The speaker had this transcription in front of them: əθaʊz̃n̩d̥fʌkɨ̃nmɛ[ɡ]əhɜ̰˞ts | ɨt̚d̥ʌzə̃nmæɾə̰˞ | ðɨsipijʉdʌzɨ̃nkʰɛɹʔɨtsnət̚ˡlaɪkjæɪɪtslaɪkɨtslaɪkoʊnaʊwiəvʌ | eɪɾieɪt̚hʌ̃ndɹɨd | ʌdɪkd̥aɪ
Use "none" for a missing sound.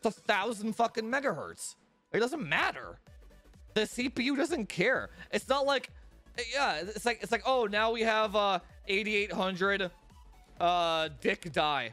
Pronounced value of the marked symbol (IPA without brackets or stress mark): ɡ